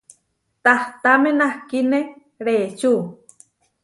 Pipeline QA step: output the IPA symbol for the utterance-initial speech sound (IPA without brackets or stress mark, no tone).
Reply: t̪